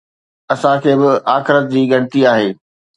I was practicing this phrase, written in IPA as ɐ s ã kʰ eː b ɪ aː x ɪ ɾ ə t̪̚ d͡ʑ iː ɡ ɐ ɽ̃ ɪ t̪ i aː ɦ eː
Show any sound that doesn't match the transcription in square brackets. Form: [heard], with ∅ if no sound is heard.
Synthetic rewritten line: ɐ s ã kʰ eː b ɪ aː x ɪ ɾ ə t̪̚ d͡ʑ iː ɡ ɐ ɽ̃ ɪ t̪ i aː ɦ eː